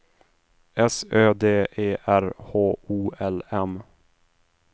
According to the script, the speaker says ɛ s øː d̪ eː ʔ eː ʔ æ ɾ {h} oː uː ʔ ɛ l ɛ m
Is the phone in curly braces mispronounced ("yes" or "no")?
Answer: no